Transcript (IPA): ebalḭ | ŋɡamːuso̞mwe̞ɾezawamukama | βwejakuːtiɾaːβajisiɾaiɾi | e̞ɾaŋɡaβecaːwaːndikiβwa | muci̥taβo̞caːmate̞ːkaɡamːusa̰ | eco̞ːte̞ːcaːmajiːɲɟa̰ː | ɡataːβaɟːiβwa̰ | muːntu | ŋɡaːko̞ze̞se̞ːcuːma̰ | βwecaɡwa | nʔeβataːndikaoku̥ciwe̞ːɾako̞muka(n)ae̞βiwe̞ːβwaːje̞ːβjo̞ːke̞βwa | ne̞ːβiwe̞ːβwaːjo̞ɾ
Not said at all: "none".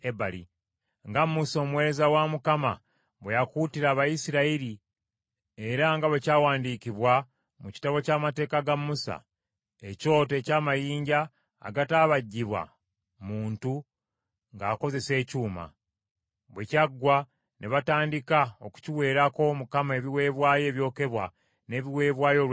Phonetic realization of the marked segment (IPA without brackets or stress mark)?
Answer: m